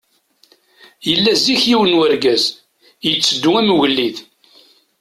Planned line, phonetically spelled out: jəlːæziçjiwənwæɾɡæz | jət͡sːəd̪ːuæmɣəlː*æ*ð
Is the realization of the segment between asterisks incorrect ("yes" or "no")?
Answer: yes